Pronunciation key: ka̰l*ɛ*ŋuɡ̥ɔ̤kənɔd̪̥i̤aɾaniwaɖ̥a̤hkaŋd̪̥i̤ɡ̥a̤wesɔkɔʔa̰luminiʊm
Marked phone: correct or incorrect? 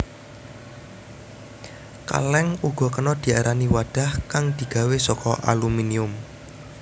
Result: correct